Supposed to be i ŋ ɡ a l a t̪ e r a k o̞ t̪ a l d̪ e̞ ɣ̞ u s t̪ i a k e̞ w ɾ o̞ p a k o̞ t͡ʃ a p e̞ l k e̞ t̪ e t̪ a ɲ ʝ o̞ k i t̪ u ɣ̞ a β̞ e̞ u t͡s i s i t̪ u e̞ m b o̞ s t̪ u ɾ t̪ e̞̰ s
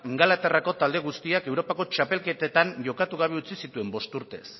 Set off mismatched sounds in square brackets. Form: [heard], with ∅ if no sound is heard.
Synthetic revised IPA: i ŋ ɡ a l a t̪ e r a k o̞ t̪ a l d̪ e̞ ɣ̞ u s t̪ i a k e̞ w ɾ o̞ p a k o̞ t͡ʃ a p e̞ l k e̞ t̪ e t̪ a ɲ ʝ o̞ k [a] t̪ u ɣ̞ a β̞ e̞ u t͡s i s i t̪ u e̞ m b o̞ s t̪ u ɾ t̪ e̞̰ s